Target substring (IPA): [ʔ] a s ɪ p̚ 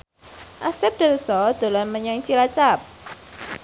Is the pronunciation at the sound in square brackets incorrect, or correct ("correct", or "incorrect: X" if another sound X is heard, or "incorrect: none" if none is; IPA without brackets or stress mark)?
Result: correct